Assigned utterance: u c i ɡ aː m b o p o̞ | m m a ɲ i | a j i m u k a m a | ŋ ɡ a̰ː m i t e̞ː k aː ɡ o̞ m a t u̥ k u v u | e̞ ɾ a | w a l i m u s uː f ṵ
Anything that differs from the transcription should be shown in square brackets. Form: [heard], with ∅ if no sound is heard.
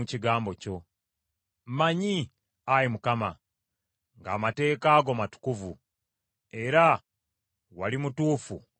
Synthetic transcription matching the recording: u c i ɡ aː m b o [c] o̞ | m m a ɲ i | a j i m u k a m a | ŋ ɡ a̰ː m [a] t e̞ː k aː ɡ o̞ m a t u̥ k u v u | e̞ ɾ a | w a l i m u [t] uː f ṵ